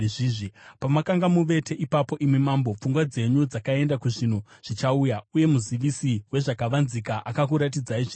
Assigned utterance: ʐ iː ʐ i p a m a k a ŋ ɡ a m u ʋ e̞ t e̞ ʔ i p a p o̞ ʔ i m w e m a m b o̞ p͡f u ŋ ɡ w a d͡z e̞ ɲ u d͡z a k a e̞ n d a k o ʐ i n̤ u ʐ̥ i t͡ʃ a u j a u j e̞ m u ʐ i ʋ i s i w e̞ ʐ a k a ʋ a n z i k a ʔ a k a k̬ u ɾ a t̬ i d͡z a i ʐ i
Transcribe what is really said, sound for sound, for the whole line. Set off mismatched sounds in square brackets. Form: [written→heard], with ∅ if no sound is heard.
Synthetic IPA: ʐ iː ʐ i p a m a k a ŋ ɡ a m u ʋ e̞ t e̞ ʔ i p a p o̞ ʔ i m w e m a m b o̞ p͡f u ŋ ɡ w a d͡z e̞ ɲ u d͡z a k a e̞ n d a k [o→u] ʐ i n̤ u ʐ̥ i t͡ʃ a u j a u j e̞ m u [ʐ→z] i ʋ i s i w e̞ ʐ a k a ʋ a n z i k a ʔ a k a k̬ u ɾ a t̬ i d͡z a i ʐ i

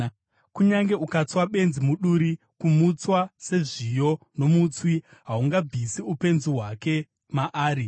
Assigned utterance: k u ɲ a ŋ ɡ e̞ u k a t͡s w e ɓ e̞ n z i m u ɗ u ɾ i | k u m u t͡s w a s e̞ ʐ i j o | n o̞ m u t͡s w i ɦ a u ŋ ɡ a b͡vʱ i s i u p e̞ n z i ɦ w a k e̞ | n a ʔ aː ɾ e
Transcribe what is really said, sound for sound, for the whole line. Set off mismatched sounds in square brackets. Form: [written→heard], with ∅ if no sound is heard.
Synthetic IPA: k u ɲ a ŋ ɡ e̞ u k a t͡s w [e→a] ɓ e̞ n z i m u ɗ u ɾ i | k u m u t͡s w a s e̞ ʐ i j o | n o̞ m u t͡s w i ɦ a u ŋ ɡ a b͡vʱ i s i u p e̞ n z i ɦ w a k e̞ | [n→m] a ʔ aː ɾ [e→i]

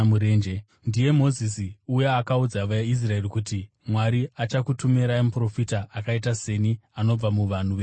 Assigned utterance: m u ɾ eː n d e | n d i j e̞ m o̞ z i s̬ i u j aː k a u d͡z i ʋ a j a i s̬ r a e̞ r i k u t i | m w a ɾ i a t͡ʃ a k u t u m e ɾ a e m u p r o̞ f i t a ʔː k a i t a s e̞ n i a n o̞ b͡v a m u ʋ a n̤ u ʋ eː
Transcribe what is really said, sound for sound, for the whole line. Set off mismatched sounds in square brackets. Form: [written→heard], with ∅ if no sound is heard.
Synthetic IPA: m u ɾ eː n [d→d͡ʒ] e | n d i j e̞ m o̞ z i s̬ i u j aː k a u d͡z [i→a] ʋ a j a i s̬ r a e̞ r i k u t i | m w a ɾ i a t͡ʃ a k u t u m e ɾ a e m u p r o̞ f i t a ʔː k a i t a s e̞ n i a n o̞ b͡v a m u ʋ a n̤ u ʋ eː

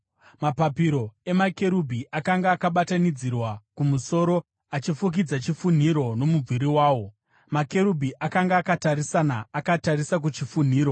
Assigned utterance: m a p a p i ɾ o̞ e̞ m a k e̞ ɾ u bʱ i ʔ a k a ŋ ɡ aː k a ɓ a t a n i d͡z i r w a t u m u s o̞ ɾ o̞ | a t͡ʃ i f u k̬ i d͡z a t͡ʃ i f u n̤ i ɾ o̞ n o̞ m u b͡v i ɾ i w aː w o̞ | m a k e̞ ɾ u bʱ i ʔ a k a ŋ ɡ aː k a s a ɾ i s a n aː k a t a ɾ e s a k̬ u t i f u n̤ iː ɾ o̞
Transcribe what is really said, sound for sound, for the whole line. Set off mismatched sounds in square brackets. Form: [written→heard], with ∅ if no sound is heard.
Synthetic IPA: m a p a p i ɾ o̞ e̞ m a k e̞ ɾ u bʱ i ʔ a k a ŋ ɡ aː k a ɓ a t a n i d͡z i r w a [t→k] u m u s o̞ ɾ o̞ | a t͡ʃ i f u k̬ i d͡z a t͡ʃ i f u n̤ i ɾ o̞ n o̞ m u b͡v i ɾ i w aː w o̞ | m a k e̞ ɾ u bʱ i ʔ a k a ŋ ɡ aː k a [s→t] a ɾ i s a n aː k a t a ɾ [e→i] s a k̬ u [t→t͡ʃ] i f u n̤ iː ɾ o̞

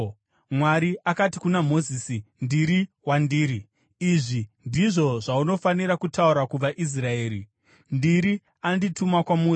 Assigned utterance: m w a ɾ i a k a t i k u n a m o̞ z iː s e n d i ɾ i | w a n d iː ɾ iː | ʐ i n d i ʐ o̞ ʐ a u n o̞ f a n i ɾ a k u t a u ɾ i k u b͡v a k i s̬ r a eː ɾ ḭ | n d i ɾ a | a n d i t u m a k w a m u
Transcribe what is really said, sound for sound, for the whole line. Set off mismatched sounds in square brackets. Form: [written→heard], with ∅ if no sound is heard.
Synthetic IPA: m w a ɾ i a k a t i k u n a m o̞ z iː s [e→i] n d i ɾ i | w a n d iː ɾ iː | ʐ i n d i ʐ o̞ ʐ a u n o̞ f a n i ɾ a k u t a u ɾ [i→a] k u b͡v a [k→ʔ] i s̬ r a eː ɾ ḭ | n d i ɾ [a→i] | a n d i t u m a k w a m u

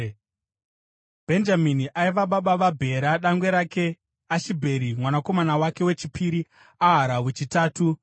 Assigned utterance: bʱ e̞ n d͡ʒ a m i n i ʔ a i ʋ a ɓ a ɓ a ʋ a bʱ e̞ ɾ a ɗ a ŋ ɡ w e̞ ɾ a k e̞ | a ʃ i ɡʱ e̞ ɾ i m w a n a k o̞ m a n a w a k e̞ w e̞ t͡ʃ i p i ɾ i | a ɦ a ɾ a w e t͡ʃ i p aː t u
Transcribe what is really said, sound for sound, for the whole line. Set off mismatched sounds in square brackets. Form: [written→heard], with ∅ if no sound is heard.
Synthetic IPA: bʱ e̞ n d͡ʒ a m i n i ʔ a i ʋ a ɓ a ɓ a ʋ a bʱ e̞ ɾ a ɗ a ŋ ɡ w e̞ ɾ a k e̞ | a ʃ i [ɡʱ→bʱ] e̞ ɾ i m w a n a k o̞ m a n a w a k e̞ w e̞ t͡ʃ i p i ɾ i | a ɦ a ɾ a w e t͡ʃ i [p→t] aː t u

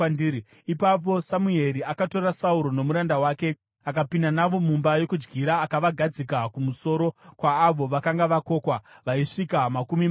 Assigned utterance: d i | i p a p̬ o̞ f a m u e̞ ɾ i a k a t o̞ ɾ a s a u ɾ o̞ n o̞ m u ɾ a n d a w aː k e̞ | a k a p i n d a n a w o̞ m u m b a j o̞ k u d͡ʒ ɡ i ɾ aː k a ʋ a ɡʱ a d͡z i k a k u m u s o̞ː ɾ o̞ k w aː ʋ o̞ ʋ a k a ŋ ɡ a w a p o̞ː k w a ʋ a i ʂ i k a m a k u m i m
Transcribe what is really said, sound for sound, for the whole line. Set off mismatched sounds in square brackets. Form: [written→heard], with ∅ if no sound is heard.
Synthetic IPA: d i | i p a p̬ o̞ [f→s] a m u e̞ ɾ i a k a t o̞ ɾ a s a u ɾ o̞ n o̞ m u ɾ a n d a w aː k e̞ | a k a p i n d a n a [w→ʋ] o̞ m u m b a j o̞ k u d͡ʒ ɡ i ɾ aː k a ʋ a ɡʱ a d͡z i k a k u m u s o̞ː ɾ o̞ k w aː ʋ o̞ ʋ a k a ŋ ɡ a [w→ʋ] a [p→k] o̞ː k w a ʋ a i ʂ i k a m a k u m i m

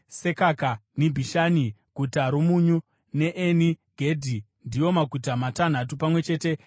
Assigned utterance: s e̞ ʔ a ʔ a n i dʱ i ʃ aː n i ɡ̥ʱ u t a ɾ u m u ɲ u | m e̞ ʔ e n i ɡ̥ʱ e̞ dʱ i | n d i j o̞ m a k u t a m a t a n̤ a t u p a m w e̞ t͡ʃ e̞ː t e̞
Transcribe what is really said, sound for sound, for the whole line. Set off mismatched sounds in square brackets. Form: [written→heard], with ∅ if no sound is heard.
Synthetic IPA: s e̞ [ʔ→k] a [ʔ→k] a n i [dʱ→bʱ] i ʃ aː n i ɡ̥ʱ u t a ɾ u m u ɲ u | [m→n] e̞ ʔ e n i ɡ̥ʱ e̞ dʱ i | n d i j o̞ m a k u t a m a t a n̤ a t u p a m w e̞ t͡ʃ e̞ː t e̞

